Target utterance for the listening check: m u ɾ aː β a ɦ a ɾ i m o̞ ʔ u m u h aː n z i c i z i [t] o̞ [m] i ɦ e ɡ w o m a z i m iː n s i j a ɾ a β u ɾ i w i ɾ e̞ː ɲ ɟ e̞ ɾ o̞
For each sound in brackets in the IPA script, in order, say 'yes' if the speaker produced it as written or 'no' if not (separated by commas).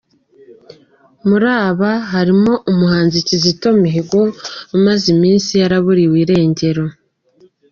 yes, yes